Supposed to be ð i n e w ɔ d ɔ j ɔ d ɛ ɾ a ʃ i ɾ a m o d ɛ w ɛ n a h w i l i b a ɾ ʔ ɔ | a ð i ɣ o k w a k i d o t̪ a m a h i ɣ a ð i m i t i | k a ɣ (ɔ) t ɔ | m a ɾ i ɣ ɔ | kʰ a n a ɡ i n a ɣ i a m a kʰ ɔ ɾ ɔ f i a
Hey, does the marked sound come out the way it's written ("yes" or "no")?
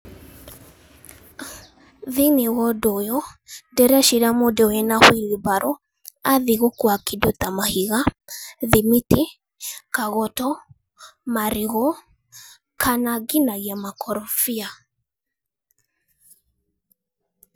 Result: yes